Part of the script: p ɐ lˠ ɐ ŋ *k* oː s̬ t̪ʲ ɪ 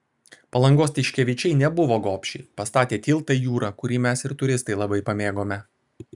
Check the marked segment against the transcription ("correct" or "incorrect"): incorrect